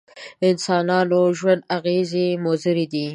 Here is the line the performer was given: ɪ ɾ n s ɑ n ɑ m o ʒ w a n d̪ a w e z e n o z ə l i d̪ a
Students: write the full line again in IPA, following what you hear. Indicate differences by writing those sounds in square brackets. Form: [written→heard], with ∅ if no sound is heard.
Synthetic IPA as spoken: ɪ [ɾ→∅] n s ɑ n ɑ [m→n] o ʒ w a n d̪ a [w→ɣ] e z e [n→m] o z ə [l→ɾ] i d̪ [a→i]